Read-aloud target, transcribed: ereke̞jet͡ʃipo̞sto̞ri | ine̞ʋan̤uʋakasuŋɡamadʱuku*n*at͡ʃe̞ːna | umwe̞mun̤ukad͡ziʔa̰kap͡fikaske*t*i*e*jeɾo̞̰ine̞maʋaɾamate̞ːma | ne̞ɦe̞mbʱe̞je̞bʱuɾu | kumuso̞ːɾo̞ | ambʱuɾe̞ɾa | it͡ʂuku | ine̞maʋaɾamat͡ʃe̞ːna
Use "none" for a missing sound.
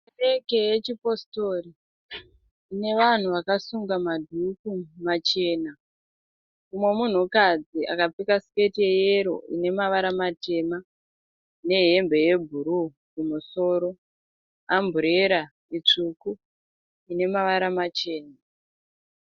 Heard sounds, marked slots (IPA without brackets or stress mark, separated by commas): m, t, e